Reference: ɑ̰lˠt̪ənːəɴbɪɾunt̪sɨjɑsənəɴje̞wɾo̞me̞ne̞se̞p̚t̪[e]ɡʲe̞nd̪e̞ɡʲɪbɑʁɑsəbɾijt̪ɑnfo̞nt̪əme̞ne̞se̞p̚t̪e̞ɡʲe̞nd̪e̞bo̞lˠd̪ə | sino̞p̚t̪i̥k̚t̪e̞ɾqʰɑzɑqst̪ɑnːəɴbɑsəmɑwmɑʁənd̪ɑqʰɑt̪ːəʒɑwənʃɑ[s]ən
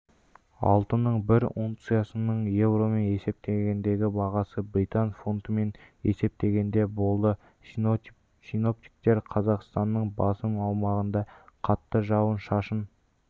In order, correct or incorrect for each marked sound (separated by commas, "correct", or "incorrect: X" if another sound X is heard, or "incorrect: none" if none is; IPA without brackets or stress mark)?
correct, incorrect: ʃ